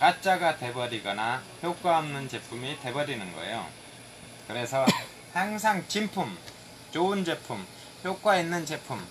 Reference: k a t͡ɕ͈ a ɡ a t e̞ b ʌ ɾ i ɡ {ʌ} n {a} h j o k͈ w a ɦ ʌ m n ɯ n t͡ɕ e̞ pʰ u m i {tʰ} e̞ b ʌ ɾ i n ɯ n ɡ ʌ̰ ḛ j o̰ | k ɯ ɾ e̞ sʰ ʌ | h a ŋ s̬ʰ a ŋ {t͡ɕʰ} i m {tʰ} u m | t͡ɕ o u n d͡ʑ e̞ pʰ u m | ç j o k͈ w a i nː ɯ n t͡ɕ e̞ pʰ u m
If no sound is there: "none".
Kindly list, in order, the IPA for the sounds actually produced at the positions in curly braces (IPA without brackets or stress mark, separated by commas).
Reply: ʌ, a, t, t͡ɕ, pʰ